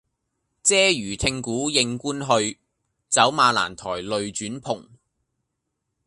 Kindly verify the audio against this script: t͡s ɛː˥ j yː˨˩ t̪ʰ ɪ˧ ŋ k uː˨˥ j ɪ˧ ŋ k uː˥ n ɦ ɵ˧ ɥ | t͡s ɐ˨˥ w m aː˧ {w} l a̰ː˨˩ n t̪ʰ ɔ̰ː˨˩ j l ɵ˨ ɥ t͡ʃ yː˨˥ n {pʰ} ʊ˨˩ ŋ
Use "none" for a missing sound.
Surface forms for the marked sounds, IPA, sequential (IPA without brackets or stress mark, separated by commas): none, pʰ